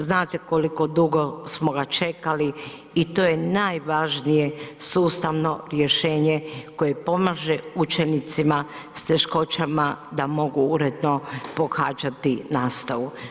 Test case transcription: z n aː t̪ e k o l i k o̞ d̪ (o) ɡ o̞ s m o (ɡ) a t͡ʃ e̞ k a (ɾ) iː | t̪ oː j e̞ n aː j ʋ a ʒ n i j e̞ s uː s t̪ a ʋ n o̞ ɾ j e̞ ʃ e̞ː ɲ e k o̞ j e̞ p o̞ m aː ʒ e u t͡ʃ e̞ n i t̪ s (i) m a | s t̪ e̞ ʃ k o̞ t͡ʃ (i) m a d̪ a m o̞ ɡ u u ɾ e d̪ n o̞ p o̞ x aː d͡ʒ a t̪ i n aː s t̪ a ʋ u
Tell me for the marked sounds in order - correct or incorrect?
incorrect, correct, incorrect, correct, incorrect

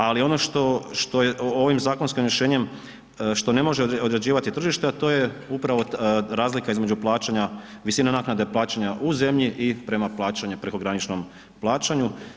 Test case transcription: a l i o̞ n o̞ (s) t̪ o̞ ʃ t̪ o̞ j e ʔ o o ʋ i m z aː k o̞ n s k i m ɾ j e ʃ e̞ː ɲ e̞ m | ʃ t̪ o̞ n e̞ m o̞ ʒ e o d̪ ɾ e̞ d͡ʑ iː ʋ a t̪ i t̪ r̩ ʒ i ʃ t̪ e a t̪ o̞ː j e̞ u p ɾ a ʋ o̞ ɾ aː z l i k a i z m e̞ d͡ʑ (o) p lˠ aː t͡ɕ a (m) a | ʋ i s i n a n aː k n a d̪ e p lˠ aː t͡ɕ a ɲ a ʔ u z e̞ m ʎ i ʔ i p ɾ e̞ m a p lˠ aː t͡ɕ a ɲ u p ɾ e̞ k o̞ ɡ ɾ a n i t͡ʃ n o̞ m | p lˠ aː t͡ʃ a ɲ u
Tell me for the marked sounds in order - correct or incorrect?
incorrect, incorrect, incorrect

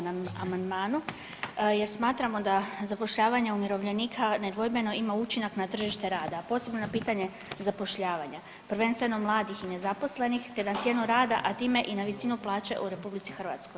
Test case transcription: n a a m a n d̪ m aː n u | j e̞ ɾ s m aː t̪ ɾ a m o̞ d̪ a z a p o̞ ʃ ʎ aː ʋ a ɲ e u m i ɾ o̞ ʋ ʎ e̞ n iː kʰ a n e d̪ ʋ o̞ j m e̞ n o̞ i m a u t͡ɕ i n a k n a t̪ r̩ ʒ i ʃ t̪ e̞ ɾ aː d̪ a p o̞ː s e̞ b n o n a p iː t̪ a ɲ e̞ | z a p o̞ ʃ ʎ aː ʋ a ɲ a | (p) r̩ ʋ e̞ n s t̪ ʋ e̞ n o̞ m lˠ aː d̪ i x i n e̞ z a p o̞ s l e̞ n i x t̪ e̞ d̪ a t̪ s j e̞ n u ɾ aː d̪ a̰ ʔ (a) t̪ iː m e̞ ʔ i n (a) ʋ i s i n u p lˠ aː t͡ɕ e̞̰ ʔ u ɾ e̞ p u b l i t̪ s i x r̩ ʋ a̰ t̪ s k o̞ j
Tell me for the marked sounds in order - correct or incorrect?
correct, correct, correct

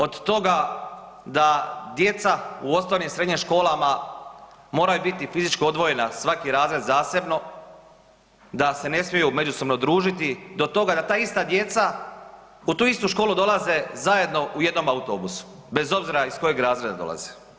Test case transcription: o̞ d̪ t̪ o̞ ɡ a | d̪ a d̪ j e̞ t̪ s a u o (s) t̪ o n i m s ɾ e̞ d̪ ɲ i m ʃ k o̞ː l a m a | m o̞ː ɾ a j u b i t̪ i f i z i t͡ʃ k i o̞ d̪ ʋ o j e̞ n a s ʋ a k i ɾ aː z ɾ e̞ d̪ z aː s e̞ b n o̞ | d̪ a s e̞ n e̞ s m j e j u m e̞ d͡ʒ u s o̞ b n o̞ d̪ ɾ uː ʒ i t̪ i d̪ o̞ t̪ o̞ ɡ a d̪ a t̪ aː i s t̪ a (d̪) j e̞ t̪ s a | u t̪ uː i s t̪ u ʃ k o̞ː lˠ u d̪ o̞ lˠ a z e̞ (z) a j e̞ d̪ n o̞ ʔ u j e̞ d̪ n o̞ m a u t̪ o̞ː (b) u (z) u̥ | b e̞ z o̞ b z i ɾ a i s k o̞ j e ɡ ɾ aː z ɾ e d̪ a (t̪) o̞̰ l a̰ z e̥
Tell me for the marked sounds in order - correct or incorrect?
correct, correct, correct, correct, incorrect, incorrect

